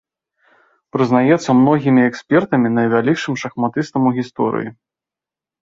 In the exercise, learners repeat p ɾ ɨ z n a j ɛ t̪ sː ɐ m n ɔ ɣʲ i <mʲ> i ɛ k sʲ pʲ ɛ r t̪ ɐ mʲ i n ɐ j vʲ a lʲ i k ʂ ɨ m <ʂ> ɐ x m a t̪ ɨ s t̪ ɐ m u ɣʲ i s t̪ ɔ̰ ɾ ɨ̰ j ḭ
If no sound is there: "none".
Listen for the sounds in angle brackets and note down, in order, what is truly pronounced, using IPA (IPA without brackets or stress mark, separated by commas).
mʲ, ʂ